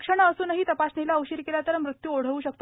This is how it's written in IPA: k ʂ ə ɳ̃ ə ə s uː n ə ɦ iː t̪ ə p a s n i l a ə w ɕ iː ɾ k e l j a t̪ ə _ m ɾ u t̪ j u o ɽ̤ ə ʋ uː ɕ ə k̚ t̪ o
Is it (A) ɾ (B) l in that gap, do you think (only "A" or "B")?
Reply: A